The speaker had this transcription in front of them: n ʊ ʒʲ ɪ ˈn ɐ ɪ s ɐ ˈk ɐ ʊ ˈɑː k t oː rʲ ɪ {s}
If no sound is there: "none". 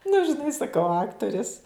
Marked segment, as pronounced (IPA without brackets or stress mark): s